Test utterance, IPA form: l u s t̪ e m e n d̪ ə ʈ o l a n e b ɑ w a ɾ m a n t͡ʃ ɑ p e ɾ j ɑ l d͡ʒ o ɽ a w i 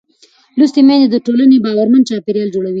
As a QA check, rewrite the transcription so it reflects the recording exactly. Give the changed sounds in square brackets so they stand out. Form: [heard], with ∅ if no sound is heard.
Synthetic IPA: l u s t̪ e m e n d̪ ə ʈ o l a n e b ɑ w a ɾ m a n t͡ʃ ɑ p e ɾ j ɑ l d͡ʒ o ɽ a w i